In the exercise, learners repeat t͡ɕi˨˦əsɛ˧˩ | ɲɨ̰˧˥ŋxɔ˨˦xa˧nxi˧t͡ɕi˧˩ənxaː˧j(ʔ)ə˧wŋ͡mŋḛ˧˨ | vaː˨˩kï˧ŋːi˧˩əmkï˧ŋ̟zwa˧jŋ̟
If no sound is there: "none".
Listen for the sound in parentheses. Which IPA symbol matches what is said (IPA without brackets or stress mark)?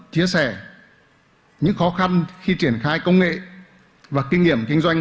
k